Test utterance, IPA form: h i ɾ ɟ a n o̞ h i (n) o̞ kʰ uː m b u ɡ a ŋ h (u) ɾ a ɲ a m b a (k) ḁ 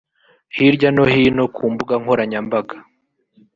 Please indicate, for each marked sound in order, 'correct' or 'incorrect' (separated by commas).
correct, incorrect, incorrect